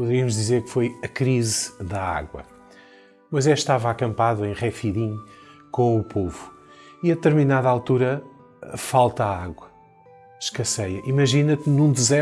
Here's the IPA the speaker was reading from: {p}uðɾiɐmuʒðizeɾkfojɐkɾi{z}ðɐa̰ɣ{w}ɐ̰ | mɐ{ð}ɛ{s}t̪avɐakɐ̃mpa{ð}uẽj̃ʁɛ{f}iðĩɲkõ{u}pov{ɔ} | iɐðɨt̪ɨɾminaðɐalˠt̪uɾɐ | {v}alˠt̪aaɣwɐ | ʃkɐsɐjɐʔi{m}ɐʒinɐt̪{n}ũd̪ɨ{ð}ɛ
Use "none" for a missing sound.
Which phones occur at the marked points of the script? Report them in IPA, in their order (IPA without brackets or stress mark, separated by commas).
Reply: p, z, w, z, ʃ, ð, f, u, u, f, m, n, z